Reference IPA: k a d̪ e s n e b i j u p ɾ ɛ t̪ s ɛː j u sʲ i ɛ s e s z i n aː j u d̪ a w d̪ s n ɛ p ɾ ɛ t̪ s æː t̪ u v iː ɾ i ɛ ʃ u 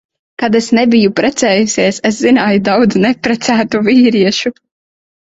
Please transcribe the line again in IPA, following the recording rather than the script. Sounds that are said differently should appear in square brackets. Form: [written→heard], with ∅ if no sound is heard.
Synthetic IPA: k a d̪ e s n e b i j u p ɾ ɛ t̪ s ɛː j u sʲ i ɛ s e s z i n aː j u d̪ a w d̪ [s→z] n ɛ p ɾ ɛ t̪ s æː t̪ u v iː ɾ i ɛ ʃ u